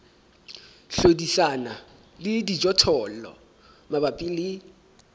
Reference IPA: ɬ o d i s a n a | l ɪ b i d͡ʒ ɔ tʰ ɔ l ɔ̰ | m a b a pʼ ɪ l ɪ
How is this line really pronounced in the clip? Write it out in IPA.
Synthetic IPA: ɬ o d i s a n a | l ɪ d i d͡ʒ ɔ tʰ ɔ l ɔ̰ | m a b a pʼ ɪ l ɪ